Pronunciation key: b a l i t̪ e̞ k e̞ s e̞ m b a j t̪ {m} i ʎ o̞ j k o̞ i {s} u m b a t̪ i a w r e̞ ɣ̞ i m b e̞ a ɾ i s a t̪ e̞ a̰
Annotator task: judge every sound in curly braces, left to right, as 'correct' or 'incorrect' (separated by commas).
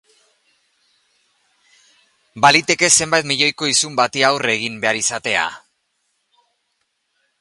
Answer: correct, correct